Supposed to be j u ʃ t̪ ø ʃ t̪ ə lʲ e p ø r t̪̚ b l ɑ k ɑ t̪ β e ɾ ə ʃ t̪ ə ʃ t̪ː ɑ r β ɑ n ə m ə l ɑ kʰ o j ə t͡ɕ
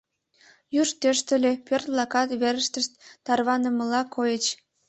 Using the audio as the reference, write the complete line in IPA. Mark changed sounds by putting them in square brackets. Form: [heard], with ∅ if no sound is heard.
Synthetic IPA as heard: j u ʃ t̪ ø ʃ t̪ ə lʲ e p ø r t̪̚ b l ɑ k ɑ t̪ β e ɾ ə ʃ t̪ ə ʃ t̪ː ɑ r β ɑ n ə m ə l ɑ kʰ o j ə t͡ɕ